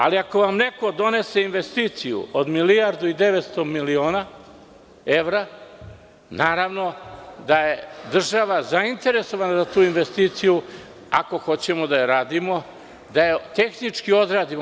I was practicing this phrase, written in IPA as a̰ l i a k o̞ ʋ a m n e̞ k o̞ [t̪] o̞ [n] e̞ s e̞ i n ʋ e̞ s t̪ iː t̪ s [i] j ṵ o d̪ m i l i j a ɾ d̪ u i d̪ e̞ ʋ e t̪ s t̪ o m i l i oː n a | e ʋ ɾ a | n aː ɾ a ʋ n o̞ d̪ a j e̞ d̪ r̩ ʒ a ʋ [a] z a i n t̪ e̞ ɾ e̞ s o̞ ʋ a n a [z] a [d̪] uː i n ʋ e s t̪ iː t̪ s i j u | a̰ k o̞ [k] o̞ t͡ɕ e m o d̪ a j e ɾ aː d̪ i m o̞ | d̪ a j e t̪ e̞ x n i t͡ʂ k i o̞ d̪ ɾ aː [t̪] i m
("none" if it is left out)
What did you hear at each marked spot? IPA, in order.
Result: d̪, n, i, a, z, t̪, x, d̪

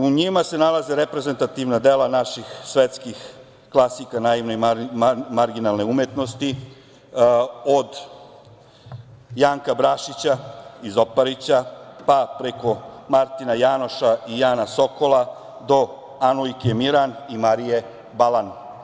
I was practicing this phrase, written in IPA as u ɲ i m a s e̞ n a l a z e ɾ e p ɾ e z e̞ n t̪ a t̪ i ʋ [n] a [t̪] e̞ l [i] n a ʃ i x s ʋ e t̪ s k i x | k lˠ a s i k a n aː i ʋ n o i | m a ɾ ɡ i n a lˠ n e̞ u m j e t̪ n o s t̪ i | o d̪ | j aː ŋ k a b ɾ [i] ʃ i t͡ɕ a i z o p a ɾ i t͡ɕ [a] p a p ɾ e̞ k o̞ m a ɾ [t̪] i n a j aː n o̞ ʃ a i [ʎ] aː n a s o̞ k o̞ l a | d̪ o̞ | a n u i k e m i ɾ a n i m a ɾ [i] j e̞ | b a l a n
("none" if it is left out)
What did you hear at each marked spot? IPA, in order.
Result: n, d̪, a, a, a, t̪, j, i

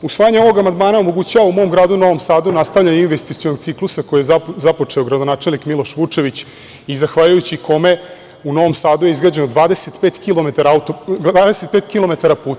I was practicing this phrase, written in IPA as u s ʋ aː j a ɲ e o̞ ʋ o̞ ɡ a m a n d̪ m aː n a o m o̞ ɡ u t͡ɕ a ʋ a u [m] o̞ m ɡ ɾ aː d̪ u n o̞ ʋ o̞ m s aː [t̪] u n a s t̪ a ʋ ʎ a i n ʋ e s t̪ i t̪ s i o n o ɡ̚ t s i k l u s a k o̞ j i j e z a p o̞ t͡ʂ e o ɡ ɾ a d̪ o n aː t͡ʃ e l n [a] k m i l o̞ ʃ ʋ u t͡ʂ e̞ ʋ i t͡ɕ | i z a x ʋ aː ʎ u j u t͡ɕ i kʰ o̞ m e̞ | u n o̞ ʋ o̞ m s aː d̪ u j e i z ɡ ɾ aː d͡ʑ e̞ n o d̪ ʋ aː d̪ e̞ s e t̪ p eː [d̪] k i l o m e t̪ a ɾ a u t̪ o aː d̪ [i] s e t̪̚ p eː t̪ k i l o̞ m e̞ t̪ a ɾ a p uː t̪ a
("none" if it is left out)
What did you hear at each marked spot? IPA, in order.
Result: m, d̪, i, t̪, e

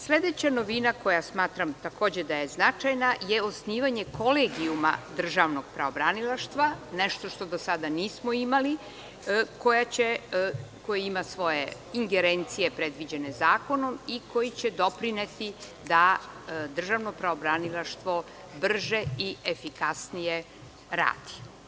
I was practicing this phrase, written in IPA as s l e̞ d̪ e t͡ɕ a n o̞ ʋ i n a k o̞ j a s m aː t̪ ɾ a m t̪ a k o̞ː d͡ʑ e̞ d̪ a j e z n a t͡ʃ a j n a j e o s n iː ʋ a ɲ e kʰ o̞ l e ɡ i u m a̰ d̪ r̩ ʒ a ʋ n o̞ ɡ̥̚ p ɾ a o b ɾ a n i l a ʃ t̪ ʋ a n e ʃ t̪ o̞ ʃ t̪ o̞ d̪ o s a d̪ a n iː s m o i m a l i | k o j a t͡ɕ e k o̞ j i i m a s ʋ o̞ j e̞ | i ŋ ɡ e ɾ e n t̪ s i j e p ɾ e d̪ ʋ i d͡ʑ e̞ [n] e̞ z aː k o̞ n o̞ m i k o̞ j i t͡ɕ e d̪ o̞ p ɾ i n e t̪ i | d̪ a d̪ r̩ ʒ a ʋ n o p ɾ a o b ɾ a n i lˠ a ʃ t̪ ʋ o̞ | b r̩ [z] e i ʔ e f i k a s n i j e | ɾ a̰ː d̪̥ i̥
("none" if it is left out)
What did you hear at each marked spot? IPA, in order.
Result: n, ʒ

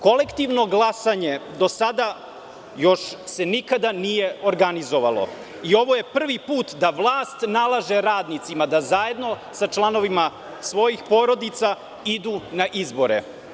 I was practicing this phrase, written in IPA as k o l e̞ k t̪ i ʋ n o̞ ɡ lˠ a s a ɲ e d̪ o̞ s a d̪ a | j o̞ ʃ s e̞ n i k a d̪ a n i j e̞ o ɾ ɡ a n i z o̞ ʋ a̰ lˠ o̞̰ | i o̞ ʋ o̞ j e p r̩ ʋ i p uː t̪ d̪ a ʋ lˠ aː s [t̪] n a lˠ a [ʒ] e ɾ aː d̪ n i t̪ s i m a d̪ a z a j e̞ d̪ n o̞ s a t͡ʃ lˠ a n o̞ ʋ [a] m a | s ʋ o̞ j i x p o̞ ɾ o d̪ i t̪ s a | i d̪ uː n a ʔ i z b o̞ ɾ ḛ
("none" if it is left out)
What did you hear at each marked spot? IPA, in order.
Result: t̪, ʒ, i

